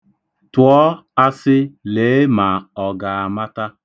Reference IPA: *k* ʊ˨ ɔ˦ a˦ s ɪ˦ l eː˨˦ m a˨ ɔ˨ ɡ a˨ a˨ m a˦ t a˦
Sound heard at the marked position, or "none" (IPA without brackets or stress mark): t